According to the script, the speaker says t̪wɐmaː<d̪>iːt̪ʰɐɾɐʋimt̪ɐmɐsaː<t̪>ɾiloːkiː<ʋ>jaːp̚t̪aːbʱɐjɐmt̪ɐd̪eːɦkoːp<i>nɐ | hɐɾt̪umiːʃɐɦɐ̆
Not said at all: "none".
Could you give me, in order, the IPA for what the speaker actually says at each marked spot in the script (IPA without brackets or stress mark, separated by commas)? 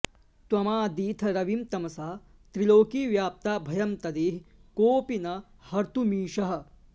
d̪, t̪, ʋ, i